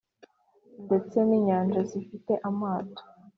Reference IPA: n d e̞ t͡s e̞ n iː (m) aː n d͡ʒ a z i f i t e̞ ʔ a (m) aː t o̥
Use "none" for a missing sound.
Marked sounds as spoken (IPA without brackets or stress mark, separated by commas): ɲ, m